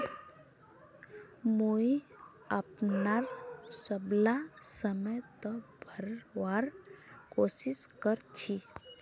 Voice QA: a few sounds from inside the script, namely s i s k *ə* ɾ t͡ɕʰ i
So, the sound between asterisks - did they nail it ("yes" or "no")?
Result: yes